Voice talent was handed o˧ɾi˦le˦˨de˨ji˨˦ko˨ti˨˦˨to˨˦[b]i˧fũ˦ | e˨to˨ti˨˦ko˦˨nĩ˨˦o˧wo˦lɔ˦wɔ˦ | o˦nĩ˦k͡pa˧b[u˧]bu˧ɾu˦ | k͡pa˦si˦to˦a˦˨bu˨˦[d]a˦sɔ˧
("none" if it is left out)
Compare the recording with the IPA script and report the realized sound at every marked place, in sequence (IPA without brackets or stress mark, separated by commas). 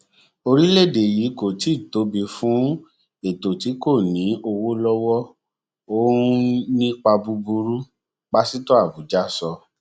b, u˧, d͡ʒ